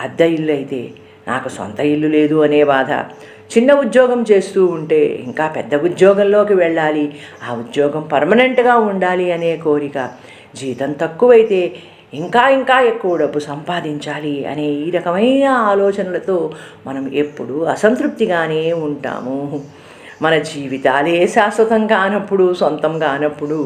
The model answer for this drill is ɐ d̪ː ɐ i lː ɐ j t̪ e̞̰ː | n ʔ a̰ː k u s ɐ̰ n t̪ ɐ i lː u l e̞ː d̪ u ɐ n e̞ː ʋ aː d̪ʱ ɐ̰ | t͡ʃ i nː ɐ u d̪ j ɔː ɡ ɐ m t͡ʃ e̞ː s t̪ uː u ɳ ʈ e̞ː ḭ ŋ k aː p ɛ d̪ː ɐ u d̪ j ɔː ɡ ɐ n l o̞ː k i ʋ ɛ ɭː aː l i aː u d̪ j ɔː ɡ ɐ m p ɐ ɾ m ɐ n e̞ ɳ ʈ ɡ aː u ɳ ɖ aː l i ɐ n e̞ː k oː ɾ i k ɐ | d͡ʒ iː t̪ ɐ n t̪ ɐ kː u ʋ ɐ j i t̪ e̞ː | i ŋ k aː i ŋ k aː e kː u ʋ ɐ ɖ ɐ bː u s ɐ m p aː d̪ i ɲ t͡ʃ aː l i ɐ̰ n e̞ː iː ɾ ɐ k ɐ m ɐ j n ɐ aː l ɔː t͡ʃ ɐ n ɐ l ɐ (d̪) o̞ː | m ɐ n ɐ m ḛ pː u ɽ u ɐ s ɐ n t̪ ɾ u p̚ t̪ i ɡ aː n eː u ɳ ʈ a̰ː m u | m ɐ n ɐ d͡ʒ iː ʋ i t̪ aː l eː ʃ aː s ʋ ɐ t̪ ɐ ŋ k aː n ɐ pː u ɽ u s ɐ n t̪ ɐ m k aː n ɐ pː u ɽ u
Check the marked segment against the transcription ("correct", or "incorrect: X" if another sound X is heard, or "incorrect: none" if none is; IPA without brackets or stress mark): incorrect: t̪